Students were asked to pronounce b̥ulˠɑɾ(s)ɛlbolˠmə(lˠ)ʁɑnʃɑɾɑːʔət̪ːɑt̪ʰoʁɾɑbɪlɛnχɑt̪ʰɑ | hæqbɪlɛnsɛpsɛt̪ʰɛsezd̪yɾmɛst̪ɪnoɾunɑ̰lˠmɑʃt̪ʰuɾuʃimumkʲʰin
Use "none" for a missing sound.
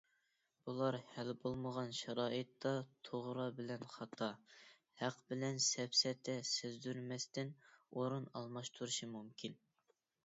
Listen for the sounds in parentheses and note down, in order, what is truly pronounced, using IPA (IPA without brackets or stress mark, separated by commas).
h, none